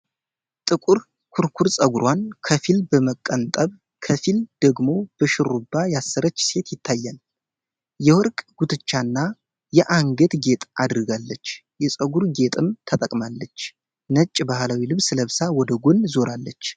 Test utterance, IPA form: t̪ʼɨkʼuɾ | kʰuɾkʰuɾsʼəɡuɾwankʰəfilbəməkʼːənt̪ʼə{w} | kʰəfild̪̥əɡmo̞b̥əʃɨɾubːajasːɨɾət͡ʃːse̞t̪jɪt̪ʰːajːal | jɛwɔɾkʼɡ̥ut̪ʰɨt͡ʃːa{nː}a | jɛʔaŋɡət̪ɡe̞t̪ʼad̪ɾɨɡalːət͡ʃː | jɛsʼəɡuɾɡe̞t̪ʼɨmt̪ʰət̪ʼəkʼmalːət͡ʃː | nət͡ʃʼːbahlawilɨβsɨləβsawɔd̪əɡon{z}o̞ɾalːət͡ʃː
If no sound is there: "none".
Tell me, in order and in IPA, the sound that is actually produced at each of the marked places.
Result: β, nː, z

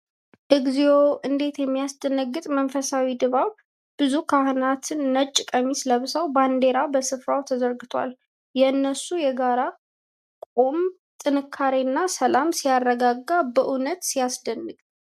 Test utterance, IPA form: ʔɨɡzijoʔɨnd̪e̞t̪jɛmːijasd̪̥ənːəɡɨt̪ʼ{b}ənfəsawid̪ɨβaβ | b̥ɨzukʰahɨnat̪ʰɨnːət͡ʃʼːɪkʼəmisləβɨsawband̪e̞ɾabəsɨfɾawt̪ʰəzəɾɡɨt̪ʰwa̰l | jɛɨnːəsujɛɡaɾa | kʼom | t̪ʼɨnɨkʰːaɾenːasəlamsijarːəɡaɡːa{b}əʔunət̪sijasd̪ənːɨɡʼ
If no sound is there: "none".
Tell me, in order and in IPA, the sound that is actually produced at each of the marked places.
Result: m, b

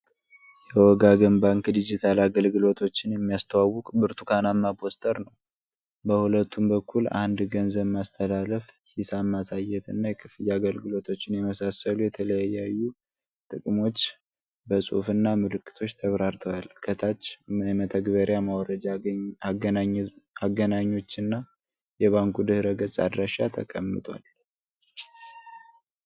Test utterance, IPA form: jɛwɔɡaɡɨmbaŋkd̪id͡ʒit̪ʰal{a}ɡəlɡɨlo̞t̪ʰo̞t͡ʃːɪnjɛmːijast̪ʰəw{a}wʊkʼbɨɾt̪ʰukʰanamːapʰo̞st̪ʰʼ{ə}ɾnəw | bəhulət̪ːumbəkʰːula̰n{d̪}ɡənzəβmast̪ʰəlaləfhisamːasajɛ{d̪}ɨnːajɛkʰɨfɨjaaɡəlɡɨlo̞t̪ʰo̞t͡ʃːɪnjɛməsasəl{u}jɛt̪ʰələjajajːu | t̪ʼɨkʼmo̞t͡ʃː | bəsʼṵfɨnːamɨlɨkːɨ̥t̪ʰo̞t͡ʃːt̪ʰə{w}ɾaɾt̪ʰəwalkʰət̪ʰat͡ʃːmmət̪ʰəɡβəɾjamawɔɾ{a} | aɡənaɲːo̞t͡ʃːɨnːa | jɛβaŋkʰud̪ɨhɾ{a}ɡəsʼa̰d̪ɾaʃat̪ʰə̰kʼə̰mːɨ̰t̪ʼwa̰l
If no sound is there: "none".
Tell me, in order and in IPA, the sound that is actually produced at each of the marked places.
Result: a, a, ə, d̪, t̪, u, β, ə, ə

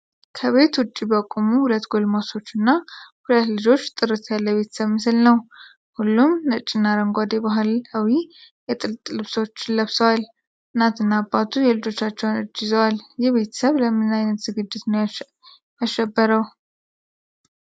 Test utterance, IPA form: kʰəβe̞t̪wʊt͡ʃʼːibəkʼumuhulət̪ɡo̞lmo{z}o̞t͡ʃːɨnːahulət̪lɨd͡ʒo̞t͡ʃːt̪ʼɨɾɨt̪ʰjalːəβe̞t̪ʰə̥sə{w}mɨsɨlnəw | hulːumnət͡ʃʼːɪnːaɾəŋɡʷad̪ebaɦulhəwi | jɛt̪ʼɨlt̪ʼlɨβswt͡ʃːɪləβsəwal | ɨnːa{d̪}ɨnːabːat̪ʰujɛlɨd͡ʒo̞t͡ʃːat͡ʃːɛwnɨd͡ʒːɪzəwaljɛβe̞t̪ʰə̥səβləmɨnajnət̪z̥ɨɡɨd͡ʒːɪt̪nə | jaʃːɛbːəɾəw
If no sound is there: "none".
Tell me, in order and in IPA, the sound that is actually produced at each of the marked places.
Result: s, β, t̪

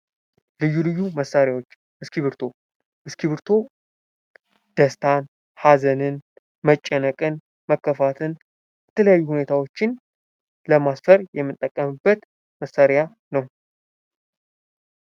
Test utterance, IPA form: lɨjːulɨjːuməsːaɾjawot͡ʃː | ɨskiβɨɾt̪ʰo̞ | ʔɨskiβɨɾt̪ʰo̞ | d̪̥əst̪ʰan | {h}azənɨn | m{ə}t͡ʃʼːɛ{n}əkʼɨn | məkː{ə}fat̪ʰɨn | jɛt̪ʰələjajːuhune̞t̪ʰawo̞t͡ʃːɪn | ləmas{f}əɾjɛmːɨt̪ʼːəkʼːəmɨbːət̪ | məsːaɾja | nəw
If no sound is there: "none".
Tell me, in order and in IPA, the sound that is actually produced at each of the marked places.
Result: h, ə, n, ə, f

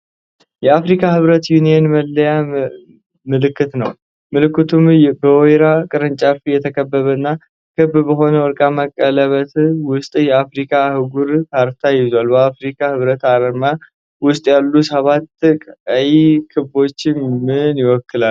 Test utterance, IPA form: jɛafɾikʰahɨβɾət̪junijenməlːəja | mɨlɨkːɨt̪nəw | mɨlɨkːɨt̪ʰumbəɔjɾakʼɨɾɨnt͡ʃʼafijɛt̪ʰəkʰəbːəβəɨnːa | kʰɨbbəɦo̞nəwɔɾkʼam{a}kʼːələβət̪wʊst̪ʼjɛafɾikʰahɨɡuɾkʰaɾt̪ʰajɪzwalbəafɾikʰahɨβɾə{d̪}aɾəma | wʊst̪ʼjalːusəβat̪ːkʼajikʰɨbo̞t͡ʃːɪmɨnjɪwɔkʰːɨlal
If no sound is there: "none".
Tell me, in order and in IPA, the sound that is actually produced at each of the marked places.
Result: ə, t̪

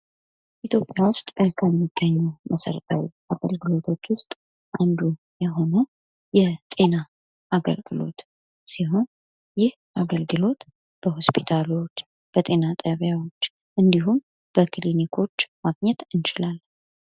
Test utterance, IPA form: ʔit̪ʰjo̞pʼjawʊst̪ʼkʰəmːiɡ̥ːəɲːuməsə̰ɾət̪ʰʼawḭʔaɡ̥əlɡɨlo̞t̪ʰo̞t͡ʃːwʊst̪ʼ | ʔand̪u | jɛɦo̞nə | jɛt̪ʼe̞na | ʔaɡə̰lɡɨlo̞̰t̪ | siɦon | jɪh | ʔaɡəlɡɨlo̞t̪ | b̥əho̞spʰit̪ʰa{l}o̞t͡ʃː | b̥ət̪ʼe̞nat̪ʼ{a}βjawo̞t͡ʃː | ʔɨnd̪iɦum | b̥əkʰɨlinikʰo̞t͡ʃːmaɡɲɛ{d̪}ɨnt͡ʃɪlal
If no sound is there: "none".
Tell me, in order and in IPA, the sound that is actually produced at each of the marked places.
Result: l, ə, t̪

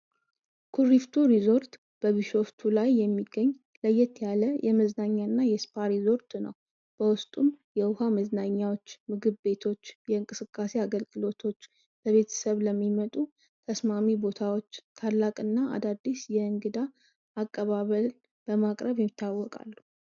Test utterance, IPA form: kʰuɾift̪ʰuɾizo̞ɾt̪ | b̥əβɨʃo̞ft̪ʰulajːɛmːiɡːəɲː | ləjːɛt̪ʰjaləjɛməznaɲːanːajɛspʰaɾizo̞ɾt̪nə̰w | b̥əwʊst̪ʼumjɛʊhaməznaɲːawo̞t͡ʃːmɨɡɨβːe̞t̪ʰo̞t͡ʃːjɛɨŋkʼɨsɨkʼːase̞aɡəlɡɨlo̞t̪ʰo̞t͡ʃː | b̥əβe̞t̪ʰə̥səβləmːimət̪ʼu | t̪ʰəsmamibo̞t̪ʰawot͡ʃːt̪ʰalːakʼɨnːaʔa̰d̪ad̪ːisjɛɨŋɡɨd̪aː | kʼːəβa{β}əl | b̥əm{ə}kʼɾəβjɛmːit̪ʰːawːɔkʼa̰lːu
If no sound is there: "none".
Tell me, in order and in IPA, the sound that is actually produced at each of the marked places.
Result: β, a

